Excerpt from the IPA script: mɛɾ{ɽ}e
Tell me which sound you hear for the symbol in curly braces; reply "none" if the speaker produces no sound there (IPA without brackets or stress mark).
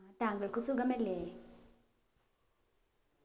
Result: l